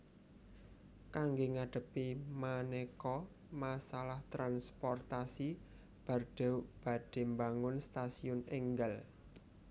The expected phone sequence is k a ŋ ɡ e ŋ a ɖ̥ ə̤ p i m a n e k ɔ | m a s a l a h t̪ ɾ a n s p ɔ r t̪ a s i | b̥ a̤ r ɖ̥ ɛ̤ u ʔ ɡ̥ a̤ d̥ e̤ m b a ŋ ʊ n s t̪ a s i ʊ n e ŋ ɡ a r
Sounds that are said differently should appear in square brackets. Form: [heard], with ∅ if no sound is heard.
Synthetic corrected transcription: k a ŋ ɡ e ŋ a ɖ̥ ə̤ p i m a n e k ɔ | m a s a l a h t̪ ɾ a n s p ɔ r t̪ a s i | b̥ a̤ r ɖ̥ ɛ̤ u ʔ [b̥] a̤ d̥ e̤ m b a ŋ ʊ n s t̪ a s i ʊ n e ŋ ɡ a [l]

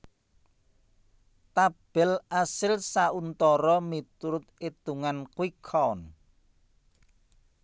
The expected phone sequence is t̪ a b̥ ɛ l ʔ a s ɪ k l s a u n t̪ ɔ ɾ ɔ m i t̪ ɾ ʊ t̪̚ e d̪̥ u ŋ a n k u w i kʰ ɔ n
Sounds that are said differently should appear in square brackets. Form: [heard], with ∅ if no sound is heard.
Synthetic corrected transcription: t̪ a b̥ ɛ l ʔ a s ɪ [∅] l s a u n t̪ ɔ ɾ ɔ m i t̪ ɾ ʊ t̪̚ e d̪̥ u ŋ a n k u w i kʰ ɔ n

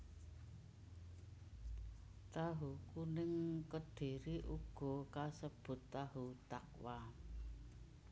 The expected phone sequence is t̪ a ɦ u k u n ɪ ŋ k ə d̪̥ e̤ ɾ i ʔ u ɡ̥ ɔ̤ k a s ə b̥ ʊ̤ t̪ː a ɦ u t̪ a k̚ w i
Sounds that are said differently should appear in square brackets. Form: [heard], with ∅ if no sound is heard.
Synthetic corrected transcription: t̪ a ɦ u k u n ɪ ŋ k ə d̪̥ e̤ ɾ i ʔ u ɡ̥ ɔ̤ k a s ə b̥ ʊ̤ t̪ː a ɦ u t̪ a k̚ w [a]

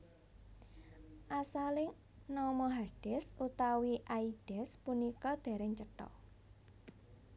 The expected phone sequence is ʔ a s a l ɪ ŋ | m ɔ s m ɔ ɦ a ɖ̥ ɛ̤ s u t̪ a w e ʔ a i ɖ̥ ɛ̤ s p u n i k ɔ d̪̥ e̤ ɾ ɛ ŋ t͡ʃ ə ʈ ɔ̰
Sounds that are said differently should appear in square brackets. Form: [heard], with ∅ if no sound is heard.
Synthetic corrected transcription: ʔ a s a l ɪ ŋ | [n] ɔ [∅] m ɔ ɦ a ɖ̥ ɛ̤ s u t̪ a w [i] ʔ a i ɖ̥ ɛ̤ s p u n i k ɔ d̪̥ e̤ ɾ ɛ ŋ t͡ʃ ə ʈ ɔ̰

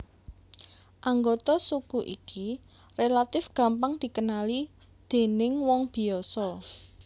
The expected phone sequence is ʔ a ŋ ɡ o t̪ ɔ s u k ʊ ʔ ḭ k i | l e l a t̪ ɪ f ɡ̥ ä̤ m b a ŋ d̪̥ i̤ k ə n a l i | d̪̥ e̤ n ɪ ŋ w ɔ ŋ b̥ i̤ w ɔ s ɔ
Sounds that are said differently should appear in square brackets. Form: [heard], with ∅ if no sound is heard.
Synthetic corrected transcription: ʔ a ŋ ɡ o t̪ ɔ s u k [u] ʔ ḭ k i | [r] e l a t̪ ɪ f ɡ̥ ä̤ m [p] a ŋ d̪̥ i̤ k ə n a l i | d̪̥ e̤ n ɪ ŋ w ɔ ŋ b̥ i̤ [∅] ɔ s ɔ

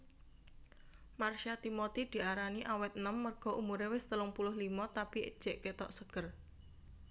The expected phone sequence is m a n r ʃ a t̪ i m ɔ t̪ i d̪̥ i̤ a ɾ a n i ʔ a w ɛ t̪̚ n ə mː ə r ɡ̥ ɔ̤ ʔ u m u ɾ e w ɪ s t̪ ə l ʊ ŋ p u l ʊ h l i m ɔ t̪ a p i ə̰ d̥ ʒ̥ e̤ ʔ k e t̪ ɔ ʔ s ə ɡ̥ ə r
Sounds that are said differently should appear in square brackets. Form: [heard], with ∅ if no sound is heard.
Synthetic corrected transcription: m a [∅] r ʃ a t̪ i m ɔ t̪ i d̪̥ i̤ a ɾ a n i ʔ a w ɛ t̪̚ n ə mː ə r ɡ̥ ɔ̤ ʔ u m u ɾ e w ɪ s t̪ ə l ʊ ŋ p u l ʊ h l i m ɔ t̪ a p i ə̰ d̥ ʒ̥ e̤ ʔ k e t̪ ɔ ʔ s ə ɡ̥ ə r

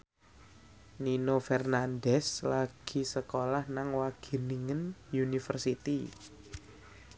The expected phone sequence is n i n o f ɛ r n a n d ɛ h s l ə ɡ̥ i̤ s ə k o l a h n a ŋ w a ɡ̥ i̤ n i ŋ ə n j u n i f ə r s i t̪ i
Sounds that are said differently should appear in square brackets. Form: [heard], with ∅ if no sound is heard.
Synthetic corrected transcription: n i n o f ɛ r n a n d ɛ [∅] s l [a] ɡ̥ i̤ s ə k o l a h n a ŋ w a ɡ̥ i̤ n i ŋ ə n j u n i f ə r s i t̪ i

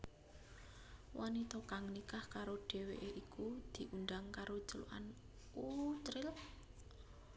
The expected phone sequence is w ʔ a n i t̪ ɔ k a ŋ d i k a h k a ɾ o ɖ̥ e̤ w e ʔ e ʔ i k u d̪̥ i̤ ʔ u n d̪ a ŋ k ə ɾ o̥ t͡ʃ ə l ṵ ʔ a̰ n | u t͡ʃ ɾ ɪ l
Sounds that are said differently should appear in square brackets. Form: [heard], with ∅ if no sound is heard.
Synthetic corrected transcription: w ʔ a n i t̪ ɔ k a ŋ [n] i k a h k a ɾ o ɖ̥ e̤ w e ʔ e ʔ i k u d̪̥ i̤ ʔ u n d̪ a ŋ k [a] ɾ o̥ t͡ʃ ə l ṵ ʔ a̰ n | u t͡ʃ ɾ ɪ l

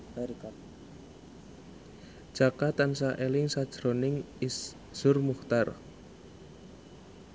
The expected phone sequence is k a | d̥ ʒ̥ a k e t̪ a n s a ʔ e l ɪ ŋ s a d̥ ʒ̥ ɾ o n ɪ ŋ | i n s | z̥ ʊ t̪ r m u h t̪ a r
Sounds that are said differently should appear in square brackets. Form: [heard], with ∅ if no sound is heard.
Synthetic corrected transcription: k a | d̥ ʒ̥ a k [a] t̪ a n s a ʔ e l ɪ ŋ s a d̥ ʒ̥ ɾ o n ɪ ŋ | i [∅] s | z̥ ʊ [∅] r m u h t̪ a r

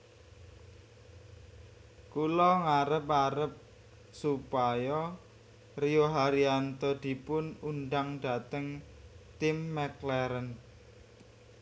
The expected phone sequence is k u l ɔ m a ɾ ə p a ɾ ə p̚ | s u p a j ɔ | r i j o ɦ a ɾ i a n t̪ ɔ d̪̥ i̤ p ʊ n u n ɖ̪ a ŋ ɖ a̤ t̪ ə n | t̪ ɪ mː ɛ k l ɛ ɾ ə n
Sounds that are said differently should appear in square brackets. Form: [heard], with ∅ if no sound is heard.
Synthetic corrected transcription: k u l ɔ [ŋ] a ɾ ə p a ɾ ə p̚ | s u p a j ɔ | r i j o ɦ a ɾ i a n t̪ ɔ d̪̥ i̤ p ʊ n u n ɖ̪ a ŋ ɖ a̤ t̪ ə [ŋ] | t̪ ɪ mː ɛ k l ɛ ɾ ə n

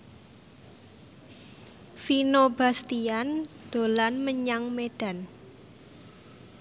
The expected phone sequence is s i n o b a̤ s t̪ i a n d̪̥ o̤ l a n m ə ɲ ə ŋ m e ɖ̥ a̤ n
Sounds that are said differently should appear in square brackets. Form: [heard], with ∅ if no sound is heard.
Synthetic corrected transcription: [f] i n o b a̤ s t̪ i a n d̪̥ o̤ l a n m ə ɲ [a] ŋ m e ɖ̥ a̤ n

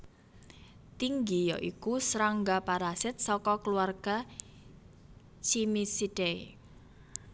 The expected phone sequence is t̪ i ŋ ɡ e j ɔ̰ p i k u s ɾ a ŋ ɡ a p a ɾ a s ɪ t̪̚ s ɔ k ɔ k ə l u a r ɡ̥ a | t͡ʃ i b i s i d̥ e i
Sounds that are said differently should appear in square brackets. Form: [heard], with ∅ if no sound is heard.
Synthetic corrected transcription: t̪ i ŋ ɡ [i] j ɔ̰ [ʔ] i k u s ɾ a ŋ ɡ a p a ɾ a s ɪ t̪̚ s ɔ k ɔ k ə l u a r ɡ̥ a | t͡ʃ i [m] i s i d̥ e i

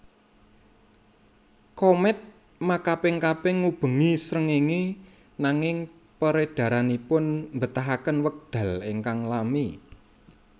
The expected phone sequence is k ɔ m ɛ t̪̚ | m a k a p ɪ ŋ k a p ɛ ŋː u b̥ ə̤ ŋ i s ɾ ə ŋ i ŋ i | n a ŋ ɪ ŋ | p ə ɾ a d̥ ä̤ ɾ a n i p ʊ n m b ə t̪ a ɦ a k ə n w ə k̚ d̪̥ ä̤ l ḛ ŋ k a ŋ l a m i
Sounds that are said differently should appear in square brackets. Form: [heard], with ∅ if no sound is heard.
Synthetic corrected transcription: k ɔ m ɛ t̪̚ | m a k a p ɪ ŋ k a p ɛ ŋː u b̥ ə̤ ŋ i s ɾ ə ŋ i ŋ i | n a ŋ ɪ ŋ | p ə ɾ [e] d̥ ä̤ ɾ a n i p ʊ n m b ə t̪ a ɦ a k ə n w ə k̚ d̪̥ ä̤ l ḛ ŋ k a ŋ l a m i

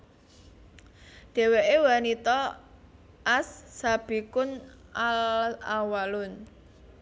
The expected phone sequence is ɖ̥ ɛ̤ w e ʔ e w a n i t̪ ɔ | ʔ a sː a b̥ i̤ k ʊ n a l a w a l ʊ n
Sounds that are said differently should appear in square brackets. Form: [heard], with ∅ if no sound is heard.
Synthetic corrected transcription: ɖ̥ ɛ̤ w e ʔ e w a n i t̪ ɔ | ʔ a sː a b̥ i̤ k ʊ n a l a w a l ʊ n

